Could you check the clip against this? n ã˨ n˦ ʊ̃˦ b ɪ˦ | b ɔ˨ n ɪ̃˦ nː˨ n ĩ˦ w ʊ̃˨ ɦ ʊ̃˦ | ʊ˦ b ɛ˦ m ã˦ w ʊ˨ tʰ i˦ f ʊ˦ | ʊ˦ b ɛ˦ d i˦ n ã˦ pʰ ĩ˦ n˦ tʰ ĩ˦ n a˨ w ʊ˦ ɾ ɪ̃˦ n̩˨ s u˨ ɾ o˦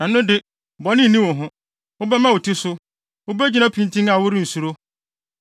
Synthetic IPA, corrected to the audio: n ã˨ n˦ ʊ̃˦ d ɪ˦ | b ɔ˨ n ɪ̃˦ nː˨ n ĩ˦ w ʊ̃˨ ɦ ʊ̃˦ | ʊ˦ b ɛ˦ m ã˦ w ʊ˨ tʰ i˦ s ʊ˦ | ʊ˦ b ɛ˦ d͡ʑ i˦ n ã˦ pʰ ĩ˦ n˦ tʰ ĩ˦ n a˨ w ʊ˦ ɾ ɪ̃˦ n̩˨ s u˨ ɾ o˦